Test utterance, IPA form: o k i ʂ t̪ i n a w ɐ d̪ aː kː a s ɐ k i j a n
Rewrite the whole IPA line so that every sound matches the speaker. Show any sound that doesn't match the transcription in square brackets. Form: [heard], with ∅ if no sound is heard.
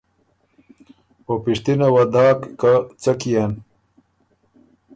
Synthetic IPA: o [p] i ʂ t̪ i n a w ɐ d̪ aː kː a [t͡s] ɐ k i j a n